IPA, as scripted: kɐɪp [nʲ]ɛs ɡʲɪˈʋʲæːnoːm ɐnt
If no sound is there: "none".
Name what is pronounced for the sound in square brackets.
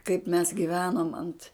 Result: mʲ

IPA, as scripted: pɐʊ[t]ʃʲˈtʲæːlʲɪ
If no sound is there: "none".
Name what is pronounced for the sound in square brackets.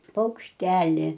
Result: k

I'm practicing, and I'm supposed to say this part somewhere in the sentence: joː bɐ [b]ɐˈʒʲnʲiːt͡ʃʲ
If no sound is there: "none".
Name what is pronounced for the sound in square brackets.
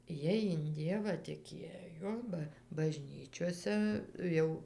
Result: b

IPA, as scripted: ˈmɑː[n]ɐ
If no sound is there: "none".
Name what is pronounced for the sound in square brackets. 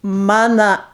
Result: n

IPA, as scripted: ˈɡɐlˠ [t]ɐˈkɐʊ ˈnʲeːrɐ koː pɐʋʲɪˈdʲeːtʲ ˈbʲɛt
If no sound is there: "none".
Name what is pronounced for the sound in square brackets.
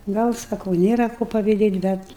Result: s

